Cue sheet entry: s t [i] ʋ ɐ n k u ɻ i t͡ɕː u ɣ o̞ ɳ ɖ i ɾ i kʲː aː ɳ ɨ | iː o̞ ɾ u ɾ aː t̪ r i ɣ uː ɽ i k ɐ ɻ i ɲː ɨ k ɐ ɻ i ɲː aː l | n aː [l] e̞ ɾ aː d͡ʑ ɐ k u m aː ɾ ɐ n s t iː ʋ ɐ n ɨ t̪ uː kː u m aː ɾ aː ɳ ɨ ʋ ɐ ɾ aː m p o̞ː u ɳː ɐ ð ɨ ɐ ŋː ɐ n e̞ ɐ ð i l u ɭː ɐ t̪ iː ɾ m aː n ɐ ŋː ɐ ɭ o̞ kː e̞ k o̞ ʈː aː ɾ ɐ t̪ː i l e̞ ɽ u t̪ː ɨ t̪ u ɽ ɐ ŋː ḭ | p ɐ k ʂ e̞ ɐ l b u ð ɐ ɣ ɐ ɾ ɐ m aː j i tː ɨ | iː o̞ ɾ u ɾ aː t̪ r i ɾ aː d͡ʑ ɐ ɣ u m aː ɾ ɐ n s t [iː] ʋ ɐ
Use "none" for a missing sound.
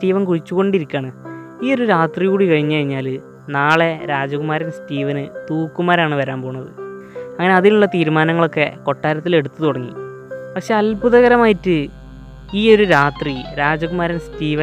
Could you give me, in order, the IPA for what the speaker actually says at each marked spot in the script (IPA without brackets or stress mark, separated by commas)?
iː, ɭ, iː